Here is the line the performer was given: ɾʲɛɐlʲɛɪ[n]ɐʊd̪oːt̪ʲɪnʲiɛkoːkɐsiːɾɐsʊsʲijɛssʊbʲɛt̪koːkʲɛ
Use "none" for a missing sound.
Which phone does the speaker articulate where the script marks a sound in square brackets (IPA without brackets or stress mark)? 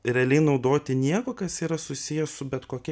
n